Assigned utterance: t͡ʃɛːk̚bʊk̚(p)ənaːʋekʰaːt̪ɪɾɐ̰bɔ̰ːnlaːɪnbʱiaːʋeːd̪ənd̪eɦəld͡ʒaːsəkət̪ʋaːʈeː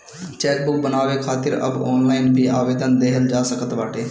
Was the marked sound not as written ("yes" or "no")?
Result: yes